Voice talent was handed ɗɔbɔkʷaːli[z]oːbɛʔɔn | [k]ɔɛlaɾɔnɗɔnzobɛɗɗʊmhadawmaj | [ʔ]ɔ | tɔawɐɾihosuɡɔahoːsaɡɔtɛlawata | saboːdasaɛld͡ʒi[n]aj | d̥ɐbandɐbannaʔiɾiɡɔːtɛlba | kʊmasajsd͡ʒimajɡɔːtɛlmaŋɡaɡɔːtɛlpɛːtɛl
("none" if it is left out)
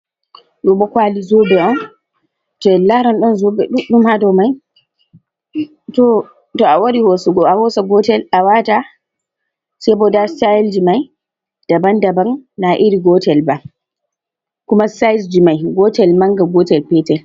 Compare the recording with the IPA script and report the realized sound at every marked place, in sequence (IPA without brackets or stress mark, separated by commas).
z, t, t, m